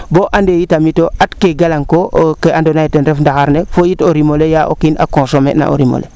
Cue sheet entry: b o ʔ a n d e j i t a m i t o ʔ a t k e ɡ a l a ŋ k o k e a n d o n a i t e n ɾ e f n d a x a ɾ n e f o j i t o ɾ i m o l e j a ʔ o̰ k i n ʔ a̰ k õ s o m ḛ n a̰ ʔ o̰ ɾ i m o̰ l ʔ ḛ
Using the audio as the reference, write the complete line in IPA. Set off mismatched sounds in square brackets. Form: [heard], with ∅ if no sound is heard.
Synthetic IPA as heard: b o ʔ a n d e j i t a m i t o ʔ a t k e ɡ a l a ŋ k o k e a n d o n a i t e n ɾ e f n d a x a ɾ n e f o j i t o ɾ i m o l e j a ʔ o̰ k i n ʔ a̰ k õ s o m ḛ n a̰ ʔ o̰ ɾ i m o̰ l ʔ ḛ